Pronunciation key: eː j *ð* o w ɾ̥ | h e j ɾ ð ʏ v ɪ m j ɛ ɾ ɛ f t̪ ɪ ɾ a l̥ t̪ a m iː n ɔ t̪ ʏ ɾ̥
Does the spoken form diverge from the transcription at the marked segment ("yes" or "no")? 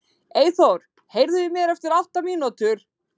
yes